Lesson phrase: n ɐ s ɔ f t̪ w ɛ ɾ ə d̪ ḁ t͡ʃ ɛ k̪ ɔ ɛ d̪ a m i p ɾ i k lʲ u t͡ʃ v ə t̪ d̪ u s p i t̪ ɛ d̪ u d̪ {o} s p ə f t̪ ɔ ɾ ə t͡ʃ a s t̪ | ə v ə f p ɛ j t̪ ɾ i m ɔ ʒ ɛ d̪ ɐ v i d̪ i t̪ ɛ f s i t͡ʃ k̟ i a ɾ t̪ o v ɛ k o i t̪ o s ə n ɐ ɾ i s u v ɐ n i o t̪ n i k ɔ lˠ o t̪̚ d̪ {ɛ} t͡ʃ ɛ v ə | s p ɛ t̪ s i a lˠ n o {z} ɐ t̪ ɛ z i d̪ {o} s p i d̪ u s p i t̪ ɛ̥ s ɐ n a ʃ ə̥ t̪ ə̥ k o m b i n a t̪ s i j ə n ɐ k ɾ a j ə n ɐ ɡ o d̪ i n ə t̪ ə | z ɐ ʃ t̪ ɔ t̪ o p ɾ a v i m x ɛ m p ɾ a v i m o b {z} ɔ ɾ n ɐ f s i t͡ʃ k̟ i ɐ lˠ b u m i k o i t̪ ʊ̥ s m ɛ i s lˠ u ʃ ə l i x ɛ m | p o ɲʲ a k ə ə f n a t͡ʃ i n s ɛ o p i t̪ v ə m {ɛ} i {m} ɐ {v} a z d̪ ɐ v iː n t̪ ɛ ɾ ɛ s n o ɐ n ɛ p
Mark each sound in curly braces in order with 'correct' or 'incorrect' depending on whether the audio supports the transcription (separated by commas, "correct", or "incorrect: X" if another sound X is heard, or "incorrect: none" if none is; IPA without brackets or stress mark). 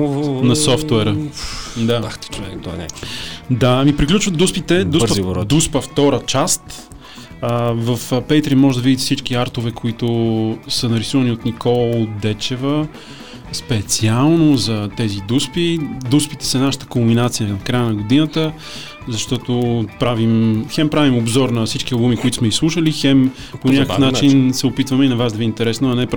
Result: incorrect: u, correct, correct, incorrect: u, correct, correct, incorrect: n, correct